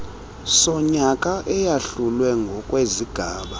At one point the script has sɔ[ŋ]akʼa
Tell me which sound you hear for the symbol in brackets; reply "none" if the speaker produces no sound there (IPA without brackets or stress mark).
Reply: ɲ